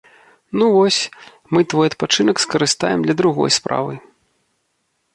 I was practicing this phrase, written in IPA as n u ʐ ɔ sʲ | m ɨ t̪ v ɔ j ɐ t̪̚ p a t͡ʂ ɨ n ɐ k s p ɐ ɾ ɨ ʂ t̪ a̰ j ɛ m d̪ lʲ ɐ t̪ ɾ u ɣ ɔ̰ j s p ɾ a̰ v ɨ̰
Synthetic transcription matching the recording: n u v ɔ sʲ | m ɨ t̪ v ɔ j ɐ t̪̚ p a t͡ʂ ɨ n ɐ k s k ɐ ɾ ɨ s t̪ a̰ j ɛ m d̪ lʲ ɐ d̪ ɾ u ɣ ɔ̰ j s p ɾ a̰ v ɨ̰